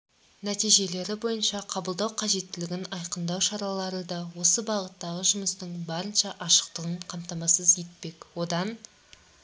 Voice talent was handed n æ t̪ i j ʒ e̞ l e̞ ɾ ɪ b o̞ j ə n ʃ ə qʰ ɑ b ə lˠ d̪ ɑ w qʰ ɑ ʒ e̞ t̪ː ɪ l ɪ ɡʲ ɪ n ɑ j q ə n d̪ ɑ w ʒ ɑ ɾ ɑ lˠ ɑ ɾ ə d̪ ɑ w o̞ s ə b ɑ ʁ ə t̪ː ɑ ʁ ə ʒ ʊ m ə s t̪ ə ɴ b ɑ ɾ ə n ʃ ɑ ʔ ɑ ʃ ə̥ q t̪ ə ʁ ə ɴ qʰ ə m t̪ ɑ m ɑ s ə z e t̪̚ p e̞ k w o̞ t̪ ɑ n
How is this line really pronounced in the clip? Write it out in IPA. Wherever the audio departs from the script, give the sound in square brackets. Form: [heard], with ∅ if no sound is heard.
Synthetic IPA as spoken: n æ t̪ i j ʒ e̞ l e̞ ɾ ɪ b o̞ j ə n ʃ [ɑ] qʰ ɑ b ə lˠ d̪ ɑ w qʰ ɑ ʒ e̞ t̪ː ɪ l ɪ ɡʲ ɪ n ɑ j q ə n d̪ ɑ w [ʃ] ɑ ɾ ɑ lˠ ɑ ɾ ə d̪ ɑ w o̞ s ə b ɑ ʁ ə t̪ː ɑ ʁ ə ʒ ʊ m ə s t̪ ə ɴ b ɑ ɾ ə n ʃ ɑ ʔ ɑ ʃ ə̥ q t̪ ə ʁ ə ɴ qʰ [ɑ] m t̪ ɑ m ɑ s ə z e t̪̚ p e̞ k w o̞ [d̪] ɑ n